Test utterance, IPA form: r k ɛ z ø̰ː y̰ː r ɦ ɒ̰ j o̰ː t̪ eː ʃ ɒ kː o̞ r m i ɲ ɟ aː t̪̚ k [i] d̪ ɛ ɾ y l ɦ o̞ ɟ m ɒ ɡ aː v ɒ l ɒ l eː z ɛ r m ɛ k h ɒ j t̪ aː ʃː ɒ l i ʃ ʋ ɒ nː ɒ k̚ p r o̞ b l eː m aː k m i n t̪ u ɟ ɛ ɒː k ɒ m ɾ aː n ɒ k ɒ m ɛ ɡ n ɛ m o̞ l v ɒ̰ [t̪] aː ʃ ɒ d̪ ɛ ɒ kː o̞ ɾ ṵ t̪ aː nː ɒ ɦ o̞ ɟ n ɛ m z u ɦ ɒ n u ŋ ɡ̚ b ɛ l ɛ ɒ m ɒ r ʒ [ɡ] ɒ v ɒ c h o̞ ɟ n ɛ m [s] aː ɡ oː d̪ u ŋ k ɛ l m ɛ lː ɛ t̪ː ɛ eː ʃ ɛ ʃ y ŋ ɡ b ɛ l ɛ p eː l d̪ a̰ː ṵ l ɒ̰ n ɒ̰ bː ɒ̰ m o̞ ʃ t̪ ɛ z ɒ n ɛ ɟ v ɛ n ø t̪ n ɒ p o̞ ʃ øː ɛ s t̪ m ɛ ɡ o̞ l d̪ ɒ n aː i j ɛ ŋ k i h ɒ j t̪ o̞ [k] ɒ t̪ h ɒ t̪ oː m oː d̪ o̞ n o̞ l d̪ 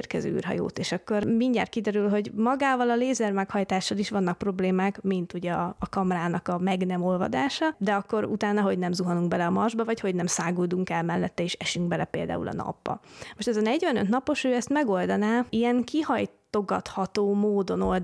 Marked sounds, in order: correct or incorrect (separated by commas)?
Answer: correct, incorrect, incorrect, correct, incorrect